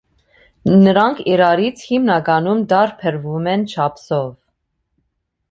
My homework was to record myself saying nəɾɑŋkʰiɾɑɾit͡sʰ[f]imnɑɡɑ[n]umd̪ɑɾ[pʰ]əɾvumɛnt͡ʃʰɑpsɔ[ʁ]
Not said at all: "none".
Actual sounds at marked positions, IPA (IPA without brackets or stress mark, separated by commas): h, n, pʰ, v